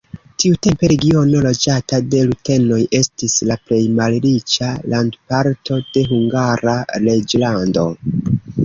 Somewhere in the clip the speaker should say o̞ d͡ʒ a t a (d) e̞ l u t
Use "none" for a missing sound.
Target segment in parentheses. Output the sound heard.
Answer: d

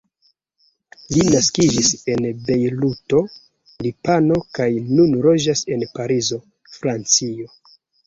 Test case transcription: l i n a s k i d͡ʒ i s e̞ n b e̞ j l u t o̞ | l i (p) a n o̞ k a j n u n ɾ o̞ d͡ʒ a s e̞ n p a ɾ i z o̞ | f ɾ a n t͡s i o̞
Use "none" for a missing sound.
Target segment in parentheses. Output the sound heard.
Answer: p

